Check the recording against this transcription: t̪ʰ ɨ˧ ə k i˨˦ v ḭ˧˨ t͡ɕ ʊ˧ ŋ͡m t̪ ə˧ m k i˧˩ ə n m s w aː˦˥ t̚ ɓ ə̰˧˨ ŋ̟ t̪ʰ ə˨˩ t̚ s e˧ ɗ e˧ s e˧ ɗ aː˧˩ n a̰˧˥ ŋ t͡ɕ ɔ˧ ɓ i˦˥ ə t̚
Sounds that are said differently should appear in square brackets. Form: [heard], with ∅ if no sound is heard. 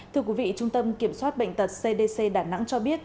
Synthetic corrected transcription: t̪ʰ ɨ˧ ə k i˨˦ v ḭ˧˨ t͡ɕ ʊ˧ ŋ͡m t̪ ə˧ m k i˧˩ ə [∅] m s w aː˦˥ t̚ ɓ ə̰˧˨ ŋ̟ [t̪] ə˨˩ t̚ s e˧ ɗ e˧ s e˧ ɗ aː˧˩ n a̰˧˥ ŋ t͡ɕ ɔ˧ ɓ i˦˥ ə t̚